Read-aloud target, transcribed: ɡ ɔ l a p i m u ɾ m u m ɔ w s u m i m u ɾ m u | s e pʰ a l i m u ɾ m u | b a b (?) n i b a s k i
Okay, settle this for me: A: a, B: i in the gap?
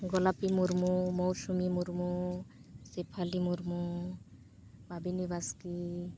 B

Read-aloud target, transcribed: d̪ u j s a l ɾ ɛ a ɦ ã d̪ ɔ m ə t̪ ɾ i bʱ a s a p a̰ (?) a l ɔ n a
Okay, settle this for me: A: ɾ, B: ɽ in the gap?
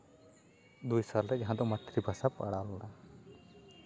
B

